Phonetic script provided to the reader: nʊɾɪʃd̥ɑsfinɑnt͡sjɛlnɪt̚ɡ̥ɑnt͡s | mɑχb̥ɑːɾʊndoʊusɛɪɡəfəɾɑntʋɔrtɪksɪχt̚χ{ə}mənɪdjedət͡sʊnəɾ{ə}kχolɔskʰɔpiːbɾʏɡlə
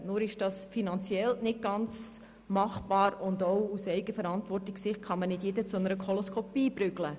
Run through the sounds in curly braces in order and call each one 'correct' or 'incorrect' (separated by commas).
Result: incorrect, correct